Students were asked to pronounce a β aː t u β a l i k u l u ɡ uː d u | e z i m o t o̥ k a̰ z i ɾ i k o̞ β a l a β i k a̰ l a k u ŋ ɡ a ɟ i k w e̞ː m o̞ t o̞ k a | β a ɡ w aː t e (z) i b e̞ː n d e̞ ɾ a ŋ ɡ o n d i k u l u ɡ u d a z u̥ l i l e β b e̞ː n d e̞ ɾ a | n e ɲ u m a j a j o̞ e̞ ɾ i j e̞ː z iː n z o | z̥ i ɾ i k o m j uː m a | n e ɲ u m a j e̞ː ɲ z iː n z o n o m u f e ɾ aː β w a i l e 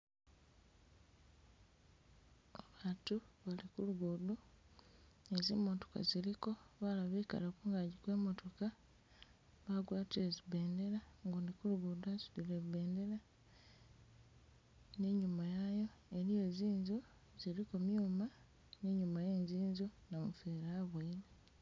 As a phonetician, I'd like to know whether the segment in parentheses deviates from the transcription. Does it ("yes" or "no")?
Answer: no